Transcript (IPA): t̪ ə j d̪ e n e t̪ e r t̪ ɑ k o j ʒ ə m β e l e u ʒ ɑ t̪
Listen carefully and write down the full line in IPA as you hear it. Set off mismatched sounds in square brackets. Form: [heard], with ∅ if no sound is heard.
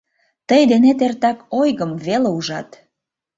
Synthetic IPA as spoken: t̪ ə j d̪ e n e t̪ e r t̪ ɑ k o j [ɣ] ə m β e l e u ʒ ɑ t̪